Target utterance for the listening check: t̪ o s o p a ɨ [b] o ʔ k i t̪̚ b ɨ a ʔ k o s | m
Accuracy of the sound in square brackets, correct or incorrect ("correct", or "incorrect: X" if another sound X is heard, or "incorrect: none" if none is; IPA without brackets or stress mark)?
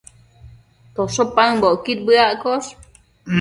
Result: correct